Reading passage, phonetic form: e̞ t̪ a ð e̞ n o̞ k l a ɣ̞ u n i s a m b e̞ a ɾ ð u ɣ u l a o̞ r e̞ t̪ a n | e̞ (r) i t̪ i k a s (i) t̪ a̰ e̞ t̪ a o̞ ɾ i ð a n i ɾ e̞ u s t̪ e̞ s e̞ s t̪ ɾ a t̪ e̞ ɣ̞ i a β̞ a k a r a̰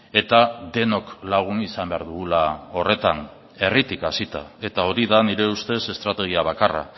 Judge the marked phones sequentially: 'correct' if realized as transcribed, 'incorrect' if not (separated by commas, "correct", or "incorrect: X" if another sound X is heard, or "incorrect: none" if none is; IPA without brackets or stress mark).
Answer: correct, correct